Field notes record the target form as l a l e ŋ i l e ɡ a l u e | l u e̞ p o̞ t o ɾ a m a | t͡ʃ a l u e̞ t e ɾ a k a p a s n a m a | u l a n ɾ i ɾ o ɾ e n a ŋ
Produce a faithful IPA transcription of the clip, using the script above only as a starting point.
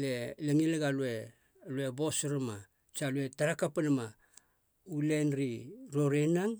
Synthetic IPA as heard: l e l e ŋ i l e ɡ a l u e | l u e̞ b o̞ s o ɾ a m a | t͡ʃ a l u e̞ t a ɾ a k a p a n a m a | u l e n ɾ i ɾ o ɾ e n a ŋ